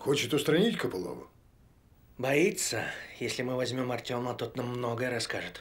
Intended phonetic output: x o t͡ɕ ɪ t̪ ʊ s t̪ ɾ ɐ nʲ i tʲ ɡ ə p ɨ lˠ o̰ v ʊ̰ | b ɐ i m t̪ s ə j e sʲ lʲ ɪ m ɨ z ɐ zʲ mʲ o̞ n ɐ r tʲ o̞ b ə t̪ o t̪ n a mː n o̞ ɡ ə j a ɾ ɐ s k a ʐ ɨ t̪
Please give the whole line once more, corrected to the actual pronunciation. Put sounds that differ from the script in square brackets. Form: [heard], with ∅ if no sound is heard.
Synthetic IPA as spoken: x o t͡ɕ ɪ t̪ ʊ s t̪ ɾ ɐ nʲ i tʲ [k] ə p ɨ lˠ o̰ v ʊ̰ | b ɐ i [∅] t̪ s ə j e sʲ lʲ ɪ m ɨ [v] ɐ zʲ mʲ o̞ [m] ɐ r tʲ o̞ [m] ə t̪ o t̪ n a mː n o̞ ɡ ə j [ə] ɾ ɐ s k a ʐ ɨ t̪